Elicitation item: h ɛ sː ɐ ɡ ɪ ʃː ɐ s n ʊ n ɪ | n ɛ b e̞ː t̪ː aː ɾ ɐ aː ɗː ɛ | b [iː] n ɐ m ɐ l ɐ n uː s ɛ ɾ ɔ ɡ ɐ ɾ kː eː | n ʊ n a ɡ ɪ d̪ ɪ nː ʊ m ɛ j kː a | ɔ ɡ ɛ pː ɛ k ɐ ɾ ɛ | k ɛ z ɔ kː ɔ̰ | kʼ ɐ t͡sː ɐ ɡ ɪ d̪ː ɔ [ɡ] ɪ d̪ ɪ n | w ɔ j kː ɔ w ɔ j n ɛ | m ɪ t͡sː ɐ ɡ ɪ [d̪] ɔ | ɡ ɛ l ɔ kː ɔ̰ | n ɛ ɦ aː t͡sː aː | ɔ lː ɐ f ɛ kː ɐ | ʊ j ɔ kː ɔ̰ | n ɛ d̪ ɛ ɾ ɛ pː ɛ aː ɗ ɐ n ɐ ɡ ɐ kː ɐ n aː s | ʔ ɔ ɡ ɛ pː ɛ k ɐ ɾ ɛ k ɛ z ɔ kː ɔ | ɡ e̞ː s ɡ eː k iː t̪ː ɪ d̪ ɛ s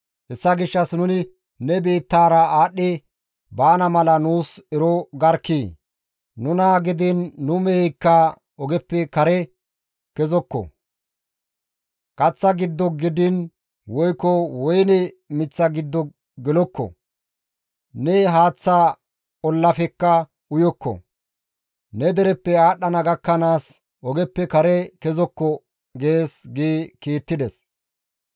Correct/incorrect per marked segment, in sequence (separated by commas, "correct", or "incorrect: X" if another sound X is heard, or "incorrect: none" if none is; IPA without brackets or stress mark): incorrect: aː, correct, incorrect: d̪ː